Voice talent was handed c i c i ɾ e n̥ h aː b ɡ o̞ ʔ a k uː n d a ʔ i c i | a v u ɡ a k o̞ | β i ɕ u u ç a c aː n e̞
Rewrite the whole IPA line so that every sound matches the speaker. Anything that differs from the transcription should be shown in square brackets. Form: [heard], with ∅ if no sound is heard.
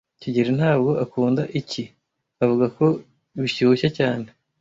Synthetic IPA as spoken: c i [ɟ] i ɾ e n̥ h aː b ɡ o̞ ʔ a k uː n d a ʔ i c i | a v u ɡ a k o̞ | β i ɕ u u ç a c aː n e̞